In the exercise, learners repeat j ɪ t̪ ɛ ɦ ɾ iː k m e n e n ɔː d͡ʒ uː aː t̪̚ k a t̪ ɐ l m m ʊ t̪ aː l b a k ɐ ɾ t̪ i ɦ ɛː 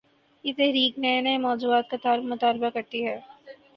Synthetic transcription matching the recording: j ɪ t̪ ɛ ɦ ɾ iː k n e n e m ɔː d͡ʒ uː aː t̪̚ k a t̪ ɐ ɾ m m ʊ t̪ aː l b a k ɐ ɾ t̪ i ɦ ɛː